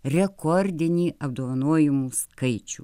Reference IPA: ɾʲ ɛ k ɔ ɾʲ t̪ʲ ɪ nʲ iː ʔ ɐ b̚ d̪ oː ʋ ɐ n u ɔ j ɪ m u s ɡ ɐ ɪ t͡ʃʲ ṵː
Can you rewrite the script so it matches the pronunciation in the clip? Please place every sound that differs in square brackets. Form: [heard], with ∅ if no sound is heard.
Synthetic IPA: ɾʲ ɛ k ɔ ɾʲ [d̪ʲ] ɪ nʲ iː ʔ ɐ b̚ d̪ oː ʋ ɐ n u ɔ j ɪ m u s [k] ɐ ɪ t͡ʃʲ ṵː